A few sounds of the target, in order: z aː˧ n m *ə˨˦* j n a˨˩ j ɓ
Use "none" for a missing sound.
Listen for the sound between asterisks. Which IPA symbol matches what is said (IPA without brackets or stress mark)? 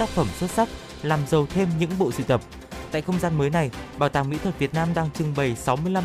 əː˨˦